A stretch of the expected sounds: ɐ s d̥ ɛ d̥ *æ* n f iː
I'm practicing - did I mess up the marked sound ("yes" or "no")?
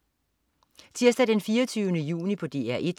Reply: yes